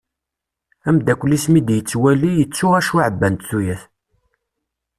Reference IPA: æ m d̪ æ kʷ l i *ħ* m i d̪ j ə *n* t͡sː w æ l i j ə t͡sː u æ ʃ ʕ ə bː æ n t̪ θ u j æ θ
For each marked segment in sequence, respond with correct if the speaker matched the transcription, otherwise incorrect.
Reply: incorrect, incorrect

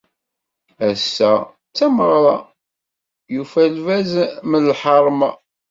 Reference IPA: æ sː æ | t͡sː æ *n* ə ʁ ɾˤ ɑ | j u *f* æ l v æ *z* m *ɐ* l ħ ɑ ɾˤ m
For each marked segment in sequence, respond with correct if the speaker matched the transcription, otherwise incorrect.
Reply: incorrect, correct, correct, incorrect

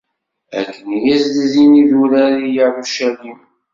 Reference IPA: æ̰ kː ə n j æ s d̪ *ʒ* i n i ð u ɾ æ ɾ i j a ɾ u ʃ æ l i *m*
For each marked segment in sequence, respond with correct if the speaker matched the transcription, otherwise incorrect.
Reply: incorrect, correct

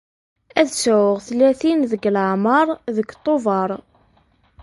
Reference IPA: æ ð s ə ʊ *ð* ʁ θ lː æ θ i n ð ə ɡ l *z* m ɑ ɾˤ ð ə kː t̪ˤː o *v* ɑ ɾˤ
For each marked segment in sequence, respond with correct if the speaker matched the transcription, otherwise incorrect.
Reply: incorrect, incorrect, correct

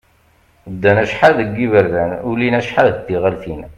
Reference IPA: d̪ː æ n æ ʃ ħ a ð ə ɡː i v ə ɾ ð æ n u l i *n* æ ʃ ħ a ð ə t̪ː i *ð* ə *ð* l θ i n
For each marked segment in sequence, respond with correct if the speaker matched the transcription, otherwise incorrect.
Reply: correct, incorrect, incorrect

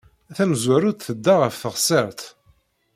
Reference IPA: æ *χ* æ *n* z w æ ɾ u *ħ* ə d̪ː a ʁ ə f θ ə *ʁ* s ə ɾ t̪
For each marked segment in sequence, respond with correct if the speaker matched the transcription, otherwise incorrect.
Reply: incorrect, incorrect, incorrect, correct

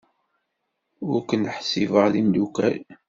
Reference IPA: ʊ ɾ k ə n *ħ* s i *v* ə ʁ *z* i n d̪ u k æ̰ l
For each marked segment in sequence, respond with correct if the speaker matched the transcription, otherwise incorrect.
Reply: correct, correct, incorrect

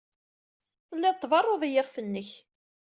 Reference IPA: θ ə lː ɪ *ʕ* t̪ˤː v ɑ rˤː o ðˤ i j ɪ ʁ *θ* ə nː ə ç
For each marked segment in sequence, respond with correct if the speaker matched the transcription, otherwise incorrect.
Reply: incorrect, incorrect

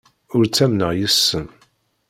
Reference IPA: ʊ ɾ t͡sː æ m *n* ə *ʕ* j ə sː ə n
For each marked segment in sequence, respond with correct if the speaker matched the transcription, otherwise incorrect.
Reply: correct, incorrect

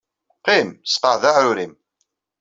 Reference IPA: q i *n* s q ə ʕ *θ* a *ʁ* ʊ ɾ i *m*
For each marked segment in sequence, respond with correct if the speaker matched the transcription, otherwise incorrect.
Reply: incorrect, incorrect, incorrect, correct

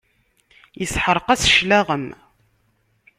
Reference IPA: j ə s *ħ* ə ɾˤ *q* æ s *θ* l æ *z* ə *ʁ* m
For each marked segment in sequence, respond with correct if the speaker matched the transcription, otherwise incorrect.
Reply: correct, correct, incorrect, incorrect, incorrect

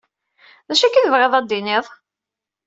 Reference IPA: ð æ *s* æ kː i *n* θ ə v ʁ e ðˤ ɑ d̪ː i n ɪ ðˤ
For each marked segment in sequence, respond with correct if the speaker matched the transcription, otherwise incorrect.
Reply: incorrect, incorrect

